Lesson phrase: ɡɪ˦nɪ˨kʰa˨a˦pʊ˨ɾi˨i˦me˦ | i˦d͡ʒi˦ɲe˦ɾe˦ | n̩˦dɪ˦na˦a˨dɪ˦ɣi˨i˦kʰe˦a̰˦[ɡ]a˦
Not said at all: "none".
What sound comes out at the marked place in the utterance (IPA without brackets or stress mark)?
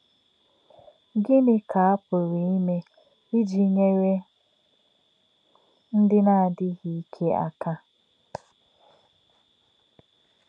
k